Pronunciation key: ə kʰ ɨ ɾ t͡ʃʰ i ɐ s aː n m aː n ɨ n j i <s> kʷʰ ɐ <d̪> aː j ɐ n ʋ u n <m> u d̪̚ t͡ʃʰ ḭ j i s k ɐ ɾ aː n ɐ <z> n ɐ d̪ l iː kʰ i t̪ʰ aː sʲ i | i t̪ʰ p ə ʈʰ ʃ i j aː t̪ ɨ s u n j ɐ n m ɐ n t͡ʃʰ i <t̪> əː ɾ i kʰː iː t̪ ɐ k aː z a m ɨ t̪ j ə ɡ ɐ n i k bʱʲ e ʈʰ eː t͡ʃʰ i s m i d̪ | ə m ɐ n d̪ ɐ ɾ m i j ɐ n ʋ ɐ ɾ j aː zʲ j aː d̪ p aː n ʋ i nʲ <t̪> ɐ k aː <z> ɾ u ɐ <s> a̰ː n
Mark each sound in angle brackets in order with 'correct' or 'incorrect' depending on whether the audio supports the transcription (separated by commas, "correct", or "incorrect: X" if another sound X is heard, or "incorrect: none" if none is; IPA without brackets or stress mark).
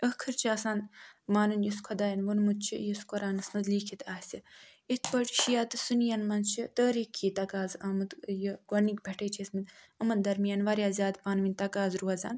correct, correct, correct, incorrect: s, correct, correct, correct, incorrect: z